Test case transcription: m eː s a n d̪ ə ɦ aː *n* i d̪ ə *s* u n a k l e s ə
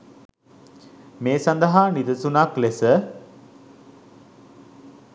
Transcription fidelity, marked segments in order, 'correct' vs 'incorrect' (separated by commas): correct, correct